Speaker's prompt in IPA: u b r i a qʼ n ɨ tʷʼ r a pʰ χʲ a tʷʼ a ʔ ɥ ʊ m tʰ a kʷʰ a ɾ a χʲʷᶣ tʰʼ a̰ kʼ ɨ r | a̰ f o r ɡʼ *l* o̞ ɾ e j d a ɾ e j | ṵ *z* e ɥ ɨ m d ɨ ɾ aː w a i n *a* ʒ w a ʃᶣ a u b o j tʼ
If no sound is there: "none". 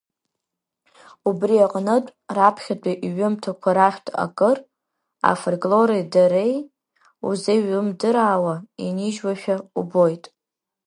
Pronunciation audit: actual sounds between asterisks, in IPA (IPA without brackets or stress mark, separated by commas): l, z, i